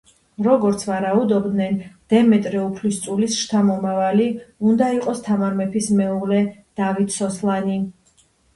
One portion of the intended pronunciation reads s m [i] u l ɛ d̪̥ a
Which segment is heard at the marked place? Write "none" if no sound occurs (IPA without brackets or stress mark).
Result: ɛ